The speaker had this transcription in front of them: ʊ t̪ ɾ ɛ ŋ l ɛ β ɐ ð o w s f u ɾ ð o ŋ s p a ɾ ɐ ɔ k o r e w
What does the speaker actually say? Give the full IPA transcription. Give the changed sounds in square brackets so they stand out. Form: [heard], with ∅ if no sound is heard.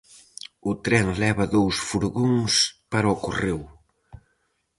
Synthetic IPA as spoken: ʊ t̪ ɾ ɛ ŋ l ɛ β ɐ ð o w s f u ɾ [ɣ] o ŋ s p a ɾ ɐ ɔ k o r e w